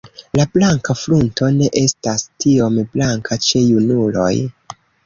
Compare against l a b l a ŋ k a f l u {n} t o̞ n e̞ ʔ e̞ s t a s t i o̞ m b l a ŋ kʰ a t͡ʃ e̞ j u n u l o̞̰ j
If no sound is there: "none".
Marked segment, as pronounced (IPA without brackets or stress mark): n